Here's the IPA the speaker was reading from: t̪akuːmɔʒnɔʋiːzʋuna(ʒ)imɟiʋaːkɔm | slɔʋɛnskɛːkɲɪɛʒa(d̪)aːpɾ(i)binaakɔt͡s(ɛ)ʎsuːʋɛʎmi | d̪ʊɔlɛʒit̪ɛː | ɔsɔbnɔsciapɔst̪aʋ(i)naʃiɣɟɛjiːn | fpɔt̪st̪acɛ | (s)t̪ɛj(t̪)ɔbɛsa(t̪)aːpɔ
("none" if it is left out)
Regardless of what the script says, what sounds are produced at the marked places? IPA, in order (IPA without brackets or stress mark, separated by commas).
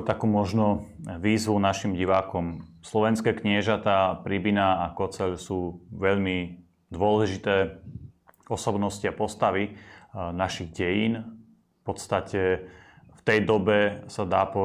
ʃ, t̪, i, ɛ, i, f, d̪, d̪